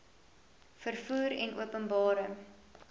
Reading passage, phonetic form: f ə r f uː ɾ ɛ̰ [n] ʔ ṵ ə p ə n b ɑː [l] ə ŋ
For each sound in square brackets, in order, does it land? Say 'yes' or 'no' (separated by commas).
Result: yes, no